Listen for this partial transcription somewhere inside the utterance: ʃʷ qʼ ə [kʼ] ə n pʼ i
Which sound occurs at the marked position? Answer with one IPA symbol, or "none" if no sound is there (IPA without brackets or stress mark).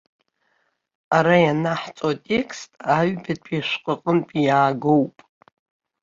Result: qʼ